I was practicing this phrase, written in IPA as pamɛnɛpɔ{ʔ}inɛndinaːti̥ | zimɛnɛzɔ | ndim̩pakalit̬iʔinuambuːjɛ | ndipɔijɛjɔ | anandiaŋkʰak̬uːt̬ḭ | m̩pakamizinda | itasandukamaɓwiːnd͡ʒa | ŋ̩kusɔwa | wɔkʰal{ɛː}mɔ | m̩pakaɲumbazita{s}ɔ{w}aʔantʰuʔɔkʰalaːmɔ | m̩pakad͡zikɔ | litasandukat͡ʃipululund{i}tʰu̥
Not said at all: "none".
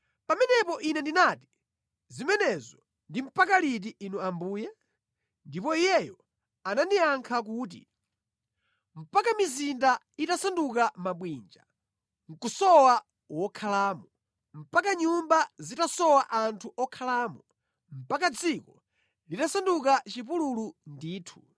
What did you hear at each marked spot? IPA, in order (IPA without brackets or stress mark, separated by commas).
ʔ, aː, s, w, iː